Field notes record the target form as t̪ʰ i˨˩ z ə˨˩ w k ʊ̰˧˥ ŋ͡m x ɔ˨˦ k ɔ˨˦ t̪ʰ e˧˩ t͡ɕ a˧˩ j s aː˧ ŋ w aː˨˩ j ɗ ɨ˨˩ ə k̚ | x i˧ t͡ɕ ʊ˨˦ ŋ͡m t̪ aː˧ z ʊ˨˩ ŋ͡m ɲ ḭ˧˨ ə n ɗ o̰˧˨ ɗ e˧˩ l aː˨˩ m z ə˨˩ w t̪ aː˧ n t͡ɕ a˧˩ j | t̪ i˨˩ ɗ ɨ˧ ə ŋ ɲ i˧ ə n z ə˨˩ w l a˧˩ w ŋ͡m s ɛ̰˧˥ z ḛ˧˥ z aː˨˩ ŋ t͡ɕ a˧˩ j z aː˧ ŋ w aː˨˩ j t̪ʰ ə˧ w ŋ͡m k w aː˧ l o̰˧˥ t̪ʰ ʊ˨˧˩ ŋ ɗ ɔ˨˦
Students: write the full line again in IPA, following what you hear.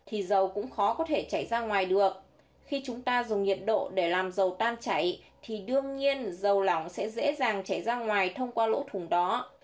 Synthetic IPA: t̪ʰ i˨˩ z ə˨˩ w k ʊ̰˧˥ ŋ͡m x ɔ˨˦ k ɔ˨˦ t̪ʰ e˧˩ t͡ɕ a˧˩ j z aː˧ ŋ w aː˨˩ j ɗ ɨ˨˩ ə k̚ | x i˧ t͡ɕ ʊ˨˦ ŋ͡m t̪ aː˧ z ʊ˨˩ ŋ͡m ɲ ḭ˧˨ ə n ɗ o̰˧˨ ɗ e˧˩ l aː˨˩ m z ə˨˩ w t̪ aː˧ n t͡ɕ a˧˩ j | t̪ʰ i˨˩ ɗ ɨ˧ ə ŋ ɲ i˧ ə n z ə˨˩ w l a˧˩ w ŋ͡m s ɛ̰˧˥ z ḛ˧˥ z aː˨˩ ŋ t͡ɕ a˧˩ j z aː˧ ŋ w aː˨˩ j t̪ʰ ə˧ w ŋ͡m k w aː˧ l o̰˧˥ t̪ʰ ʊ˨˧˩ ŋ ɗ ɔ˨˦

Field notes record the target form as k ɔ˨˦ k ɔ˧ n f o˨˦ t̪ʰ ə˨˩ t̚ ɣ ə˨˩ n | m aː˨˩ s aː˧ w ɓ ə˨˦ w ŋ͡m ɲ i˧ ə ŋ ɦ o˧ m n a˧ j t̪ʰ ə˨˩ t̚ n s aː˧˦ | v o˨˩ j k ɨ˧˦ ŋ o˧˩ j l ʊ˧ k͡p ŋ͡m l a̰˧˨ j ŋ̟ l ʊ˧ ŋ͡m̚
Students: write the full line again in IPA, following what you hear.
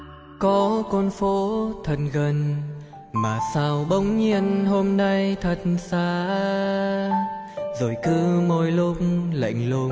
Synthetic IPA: k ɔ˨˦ k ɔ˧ n f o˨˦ t̪ʰ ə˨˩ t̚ ɣ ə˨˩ n | m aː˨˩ s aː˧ w ɓ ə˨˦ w ŋ͡m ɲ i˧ ə n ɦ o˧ m n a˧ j t̪ʰ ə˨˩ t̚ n s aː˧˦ | z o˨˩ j k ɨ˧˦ m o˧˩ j l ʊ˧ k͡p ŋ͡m l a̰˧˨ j ŋ̟ l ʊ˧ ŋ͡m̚

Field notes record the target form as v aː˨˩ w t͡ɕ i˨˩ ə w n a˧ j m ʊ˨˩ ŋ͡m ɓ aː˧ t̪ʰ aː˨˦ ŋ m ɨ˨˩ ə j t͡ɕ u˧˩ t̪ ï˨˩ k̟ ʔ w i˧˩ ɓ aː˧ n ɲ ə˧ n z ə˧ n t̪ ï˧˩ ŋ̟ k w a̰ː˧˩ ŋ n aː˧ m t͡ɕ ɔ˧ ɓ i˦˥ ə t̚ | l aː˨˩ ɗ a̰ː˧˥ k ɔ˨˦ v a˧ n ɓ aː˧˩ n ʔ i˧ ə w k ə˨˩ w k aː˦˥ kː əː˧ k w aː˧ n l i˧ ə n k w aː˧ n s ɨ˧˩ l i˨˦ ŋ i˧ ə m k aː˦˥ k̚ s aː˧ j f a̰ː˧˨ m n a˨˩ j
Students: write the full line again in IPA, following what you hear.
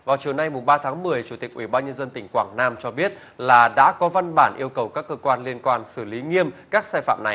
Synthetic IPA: v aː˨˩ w t͡ɕ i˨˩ ə w n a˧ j m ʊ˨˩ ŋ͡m ɓ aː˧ t̪ʰ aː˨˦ ŋ m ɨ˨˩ ə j t͡ɕ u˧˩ t̪ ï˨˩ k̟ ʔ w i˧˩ ɓ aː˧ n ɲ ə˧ n z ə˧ n t̪ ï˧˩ ŋ̟ k w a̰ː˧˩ ŋ n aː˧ m t͡ɕ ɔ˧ ɓ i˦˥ ə t̚ | l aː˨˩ ɗ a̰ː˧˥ k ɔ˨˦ v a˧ n ɓ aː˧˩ n ʔ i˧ ə w k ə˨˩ w k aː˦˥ kː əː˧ k w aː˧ n l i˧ ə n k w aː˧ n s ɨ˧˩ l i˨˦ ŋ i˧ ə m k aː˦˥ k̚ s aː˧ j f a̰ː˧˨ m n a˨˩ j

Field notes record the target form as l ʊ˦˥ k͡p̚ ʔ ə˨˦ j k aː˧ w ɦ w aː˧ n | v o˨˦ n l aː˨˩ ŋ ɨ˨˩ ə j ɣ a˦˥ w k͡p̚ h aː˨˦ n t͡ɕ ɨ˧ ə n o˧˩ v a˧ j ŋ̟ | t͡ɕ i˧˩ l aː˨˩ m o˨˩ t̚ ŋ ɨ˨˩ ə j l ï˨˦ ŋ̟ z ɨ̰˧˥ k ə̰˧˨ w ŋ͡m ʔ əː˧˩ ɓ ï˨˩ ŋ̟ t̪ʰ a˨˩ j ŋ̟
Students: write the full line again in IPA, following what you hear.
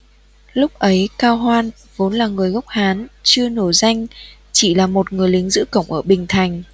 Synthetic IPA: l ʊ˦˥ k͡p̚ ʔ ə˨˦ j k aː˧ w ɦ w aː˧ n | v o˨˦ n l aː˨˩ ŋ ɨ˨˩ ə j ɣ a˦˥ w k͡p̚ h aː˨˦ n t͡ɕ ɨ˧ ə n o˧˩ z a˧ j ŋ̟ | t͡ɕ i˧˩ l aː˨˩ m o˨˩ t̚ ŋ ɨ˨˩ ə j l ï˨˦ ŋ̟ z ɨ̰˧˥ k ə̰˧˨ w ŋ͡m ʔ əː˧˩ ɓ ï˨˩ ŋ̟ t̪ʰ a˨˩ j ŋ̟

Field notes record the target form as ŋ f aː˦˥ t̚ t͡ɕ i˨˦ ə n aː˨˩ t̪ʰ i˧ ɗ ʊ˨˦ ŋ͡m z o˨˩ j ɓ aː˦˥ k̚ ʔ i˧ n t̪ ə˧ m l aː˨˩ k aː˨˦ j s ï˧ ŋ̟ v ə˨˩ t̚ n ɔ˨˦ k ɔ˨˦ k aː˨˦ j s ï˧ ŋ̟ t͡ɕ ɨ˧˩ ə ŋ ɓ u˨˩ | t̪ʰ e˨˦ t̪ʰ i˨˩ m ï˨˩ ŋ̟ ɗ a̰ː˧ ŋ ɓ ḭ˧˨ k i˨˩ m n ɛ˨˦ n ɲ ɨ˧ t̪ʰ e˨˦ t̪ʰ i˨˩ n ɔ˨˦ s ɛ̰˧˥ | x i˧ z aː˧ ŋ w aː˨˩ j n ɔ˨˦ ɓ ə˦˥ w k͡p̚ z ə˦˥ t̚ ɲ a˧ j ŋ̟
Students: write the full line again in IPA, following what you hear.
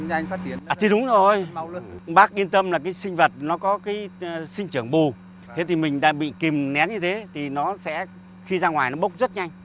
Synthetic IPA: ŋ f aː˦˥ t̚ t͡ɕ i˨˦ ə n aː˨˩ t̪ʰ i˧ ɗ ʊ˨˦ ŋ͡m z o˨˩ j ɓ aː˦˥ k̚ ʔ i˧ n t̪ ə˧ m l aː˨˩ k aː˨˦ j s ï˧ ŋ̟ v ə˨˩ t̚ n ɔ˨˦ k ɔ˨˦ k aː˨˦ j s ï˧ ŋ̟ t͡ɕ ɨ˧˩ ə ŋ ɓ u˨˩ | t̪ʰ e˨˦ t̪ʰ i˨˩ m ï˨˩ ŋ̟ ɗ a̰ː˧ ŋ ɓ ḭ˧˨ k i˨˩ m n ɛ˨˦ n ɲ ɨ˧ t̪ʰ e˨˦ t̪ʰ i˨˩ n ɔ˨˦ s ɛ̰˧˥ | x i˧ z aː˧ ŋ w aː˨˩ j n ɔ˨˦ ɓ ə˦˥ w k͡p̚ z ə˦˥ t̚ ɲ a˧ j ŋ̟

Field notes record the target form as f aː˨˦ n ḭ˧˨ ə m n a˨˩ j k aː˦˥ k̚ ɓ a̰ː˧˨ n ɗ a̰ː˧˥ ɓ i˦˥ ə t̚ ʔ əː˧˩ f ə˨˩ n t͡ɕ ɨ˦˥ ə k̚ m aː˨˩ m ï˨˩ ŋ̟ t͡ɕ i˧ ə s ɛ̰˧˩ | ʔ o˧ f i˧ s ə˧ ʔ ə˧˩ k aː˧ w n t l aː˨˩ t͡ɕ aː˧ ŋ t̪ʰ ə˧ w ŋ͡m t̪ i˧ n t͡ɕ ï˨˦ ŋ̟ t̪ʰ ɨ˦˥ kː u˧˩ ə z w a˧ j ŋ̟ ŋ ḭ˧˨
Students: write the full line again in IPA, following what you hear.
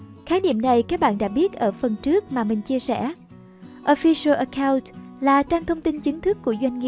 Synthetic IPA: x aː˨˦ n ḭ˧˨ ə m n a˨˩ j k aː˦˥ k̚ ɓ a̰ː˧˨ n ɗ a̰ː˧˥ ɓ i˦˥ ə t̚ ʔ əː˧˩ f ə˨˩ n t͡ɕ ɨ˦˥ ə k̚ m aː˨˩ m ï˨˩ ŋ̟ t͡ɕ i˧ ə s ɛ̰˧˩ | ʔ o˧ f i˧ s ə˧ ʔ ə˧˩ k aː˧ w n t l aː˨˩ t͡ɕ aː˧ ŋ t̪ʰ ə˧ w ŋ͡m t̪ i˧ n t͡ɕ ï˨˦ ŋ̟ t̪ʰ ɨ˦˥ kː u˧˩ ə z w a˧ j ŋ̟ ŋ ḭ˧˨

